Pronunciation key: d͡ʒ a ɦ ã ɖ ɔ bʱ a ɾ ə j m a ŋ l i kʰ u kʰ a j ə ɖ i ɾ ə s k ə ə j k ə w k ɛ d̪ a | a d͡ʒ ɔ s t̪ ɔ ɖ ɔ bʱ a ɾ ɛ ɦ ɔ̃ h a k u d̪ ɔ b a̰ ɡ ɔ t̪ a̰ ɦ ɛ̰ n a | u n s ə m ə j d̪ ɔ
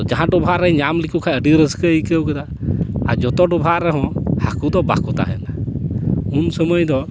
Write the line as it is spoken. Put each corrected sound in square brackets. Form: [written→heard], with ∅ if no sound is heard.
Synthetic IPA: d͡ʒ a ɦ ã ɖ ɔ bʱ a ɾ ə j [m→ɲ] a [ŋ→m] l i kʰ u kʰ a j ə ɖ i ɾ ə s k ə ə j k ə w k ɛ d̪ a | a d͡ʒ ɔ [s→∅] t̪ ɔ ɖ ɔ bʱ a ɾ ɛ ɦ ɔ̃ h a k u d̪ ɔ b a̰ [ɡ→k] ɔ t̪ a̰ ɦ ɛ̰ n a | u n s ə m ə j d̪ ɔ